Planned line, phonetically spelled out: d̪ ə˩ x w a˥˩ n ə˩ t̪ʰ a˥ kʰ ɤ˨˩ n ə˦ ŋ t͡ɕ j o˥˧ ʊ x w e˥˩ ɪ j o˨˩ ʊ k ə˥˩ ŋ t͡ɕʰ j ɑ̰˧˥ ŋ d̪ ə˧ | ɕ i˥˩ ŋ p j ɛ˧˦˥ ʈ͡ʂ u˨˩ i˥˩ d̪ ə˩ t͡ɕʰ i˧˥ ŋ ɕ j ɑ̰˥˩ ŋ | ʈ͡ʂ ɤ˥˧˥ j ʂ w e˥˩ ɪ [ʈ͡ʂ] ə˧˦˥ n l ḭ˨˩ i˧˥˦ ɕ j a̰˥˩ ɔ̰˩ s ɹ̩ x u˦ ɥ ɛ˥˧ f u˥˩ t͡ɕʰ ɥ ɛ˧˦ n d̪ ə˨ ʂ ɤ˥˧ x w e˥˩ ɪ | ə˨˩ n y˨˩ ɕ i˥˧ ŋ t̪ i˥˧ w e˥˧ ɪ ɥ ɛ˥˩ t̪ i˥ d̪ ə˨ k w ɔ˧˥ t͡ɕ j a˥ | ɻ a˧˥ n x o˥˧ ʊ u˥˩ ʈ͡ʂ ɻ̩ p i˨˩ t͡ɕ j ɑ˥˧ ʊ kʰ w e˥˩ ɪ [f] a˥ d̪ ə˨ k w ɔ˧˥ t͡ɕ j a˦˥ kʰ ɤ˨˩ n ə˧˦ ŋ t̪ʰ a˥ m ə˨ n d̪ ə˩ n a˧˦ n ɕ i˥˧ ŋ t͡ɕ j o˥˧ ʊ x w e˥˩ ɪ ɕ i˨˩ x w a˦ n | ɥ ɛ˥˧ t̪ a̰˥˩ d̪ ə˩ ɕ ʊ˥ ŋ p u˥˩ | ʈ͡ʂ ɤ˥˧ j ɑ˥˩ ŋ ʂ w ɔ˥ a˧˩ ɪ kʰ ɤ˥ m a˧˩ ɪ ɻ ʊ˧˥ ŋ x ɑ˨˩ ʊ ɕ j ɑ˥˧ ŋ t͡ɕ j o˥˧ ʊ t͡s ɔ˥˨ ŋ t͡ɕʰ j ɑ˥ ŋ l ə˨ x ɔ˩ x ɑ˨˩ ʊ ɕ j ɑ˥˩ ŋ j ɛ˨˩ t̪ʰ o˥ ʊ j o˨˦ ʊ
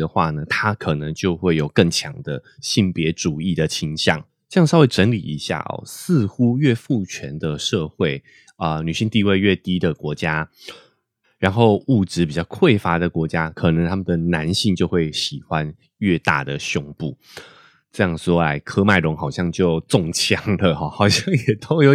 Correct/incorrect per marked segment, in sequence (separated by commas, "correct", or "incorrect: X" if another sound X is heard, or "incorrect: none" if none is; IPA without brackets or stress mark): correct, correct